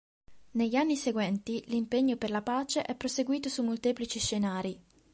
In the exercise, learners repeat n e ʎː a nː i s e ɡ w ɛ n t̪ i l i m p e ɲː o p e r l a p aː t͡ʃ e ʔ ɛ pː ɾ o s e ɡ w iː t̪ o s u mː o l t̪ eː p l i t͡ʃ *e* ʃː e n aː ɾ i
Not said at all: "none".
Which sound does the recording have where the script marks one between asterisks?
i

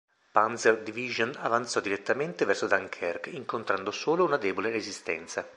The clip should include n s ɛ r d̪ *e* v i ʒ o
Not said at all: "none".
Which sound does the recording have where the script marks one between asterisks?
i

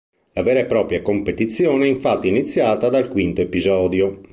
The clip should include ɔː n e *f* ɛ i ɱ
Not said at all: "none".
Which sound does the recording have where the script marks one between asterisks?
none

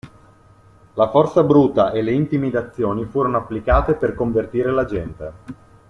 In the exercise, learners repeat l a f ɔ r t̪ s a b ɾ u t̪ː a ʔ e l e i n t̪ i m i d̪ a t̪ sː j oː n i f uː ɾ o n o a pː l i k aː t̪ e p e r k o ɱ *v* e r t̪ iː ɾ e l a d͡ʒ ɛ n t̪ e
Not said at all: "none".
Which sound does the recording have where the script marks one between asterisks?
v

